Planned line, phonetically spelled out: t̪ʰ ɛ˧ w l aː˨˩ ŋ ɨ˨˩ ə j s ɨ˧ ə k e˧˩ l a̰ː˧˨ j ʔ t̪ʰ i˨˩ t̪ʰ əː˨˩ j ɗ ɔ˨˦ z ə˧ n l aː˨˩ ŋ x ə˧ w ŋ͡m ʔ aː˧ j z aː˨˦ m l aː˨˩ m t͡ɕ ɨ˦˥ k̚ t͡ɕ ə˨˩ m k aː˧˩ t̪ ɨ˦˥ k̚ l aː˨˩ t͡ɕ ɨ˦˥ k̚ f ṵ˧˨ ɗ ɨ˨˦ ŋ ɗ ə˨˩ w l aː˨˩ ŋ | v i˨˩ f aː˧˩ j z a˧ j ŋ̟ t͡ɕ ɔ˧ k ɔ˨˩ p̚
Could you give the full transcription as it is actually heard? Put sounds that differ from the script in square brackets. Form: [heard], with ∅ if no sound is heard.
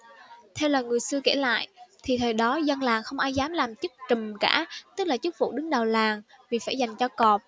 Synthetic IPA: t̪ʰ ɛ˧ w l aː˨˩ ŋ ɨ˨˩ ə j s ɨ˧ ə k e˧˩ l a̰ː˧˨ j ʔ t̪ʰ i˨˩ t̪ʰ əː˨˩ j ɗ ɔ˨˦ z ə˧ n l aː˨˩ ŋ x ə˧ w ŋ͡m ʔ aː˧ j z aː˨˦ m l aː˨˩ m t͡ɕ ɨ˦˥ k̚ t͡ɕ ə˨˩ m k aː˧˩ t̪ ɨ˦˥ k̚ l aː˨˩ t͡ɕ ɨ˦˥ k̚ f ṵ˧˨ ɗ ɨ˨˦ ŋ ɗ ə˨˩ w l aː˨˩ ŋ | v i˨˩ f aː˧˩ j z [a˨˩] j ŋ̟ t͡ɕ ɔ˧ k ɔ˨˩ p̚